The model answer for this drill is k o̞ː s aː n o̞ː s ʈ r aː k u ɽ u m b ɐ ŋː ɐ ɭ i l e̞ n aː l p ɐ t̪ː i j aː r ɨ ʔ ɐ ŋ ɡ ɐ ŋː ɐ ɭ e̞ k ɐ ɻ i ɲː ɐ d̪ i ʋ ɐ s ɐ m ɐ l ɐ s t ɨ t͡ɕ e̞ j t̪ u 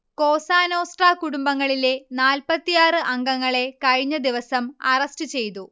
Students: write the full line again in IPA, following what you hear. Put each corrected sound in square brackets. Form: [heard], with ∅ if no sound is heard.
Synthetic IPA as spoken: k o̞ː s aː n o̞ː s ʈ r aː k u ɽ u m b ɐ ŋː ɐ ɭ i l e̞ n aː l p ɐ t̪ː i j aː r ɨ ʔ ɐ ŋ ɡ ɐ ŋː ɐ ɭ e̞ k ɐ ɻ i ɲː ɐ d̪ i ʋ ɐ s ɐ m ɐ [r] ɐ s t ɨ t͡ɕ e̞ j t̪ u